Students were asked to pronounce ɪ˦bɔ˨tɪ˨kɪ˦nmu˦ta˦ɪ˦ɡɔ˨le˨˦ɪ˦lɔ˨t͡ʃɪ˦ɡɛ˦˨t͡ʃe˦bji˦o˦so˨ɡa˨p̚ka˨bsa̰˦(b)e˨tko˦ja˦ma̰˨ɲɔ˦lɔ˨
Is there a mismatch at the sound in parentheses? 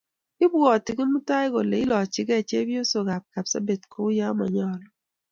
no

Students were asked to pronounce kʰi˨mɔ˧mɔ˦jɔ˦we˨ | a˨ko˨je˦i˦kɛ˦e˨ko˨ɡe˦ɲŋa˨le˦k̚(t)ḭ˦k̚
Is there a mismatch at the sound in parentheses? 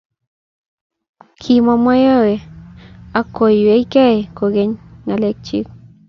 yes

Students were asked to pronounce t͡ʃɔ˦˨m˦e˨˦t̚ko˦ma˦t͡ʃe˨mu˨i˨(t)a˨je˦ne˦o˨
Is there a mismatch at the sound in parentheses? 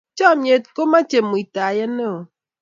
no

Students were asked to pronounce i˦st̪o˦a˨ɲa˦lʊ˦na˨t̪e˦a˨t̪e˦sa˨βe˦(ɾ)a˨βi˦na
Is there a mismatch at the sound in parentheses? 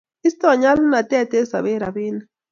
no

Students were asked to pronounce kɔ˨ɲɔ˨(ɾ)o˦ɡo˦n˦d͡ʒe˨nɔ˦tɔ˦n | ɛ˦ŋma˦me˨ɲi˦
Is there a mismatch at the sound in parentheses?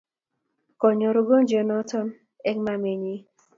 no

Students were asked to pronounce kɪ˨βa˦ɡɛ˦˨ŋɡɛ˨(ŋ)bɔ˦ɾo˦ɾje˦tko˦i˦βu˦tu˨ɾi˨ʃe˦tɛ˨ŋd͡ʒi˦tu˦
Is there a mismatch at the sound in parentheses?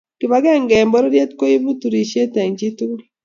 yes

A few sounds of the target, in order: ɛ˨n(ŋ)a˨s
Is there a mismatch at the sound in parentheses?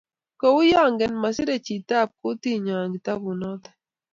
yes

